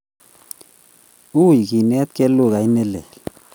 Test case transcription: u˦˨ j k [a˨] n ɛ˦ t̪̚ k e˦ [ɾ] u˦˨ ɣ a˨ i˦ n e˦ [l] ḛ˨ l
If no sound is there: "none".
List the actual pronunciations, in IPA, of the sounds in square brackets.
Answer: i˨, l, l

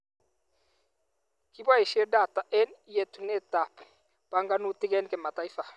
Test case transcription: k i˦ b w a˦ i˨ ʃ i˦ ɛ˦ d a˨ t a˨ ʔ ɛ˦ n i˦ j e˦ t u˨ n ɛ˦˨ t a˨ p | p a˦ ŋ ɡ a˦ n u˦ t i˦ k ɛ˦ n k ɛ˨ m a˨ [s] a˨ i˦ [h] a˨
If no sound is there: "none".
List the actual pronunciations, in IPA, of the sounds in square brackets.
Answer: t, f

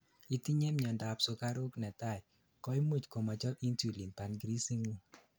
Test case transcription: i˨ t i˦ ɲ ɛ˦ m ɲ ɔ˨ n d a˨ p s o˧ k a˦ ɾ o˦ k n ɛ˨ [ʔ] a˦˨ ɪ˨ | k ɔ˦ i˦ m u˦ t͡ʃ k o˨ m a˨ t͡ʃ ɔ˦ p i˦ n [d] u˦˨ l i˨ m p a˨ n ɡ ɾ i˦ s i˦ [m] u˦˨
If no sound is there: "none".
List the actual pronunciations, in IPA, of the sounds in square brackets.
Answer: t, t, ŋ

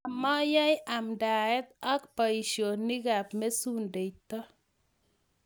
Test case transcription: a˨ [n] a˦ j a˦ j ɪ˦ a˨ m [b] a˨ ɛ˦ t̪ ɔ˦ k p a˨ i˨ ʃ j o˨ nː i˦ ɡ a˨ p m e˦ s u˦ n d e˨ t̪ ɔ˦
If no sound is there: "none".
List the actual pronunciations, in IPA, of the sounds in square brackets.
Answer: m, d

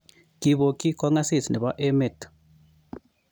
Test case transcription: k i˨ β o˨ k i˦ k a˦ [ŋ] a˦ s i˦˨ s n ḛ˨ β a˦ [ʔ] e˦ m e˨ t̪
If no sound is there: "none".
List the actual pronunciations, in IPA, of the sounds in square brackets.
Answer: ŋ, ʔ

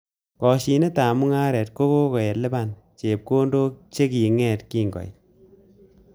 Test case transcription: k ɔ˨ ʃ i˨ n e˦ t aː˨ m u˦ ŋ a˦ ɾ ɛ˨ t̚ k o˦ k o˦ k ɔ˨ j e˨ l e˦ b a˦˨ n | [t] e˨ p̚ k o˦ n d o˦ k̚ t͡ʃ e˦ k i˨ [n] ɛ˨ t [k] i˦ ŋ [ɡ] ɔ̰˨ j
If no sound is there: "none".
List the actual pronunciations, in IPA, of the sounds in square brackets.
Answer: t͡ʃ, ŋ, k, ɡ

